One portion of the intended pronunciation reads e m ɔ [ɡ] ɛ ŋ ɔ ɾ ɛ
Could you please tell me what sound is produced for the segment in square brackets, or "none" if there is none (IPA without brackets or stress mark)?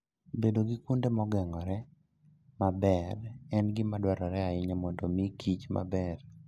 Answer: ɡ